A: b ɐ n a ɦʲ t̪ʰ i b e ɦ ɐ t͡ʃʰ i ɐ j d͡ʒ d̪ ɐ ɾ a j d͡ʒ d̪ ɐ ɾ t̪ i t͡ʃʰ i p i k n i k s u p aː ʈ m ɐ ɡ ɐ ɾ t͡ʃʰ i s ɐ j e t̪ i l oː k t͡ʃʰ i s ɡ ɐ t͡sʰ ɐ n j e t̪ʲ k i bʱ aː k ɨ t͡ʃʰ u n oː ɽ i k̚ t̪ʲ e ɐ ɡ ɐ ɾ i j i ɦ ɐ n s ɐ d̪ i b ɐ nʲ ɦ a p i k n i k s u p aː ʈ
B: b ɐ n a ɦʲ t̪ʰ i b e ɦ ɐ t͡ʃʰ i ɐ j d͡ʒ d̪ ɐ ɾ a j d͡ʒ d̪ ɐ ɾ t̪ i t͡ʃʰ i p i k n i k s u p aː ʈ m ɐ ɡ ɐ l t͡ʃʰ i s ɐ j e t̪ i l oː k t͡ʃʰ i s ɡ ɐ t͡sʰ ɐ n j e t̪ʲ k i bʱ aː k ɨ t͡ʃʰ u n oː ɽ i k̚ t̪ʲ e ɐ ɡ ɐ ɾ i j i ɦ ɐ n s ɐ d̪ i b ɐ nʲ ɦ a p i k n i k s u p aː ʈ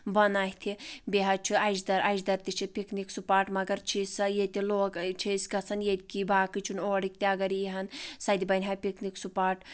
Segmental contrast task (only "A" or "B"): A